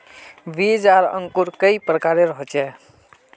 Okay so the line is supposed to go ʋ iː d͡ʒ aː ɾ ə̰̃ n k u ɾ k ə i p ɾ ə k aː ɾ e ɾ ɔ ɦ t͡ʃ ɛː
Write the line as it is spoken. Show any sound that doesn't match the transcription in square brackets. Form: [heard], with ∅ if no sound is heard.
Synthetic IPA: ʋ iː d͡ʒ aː ɾ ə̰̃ [ŋ] k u ɾ k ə i p ɾ ə k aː ɾ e ɾ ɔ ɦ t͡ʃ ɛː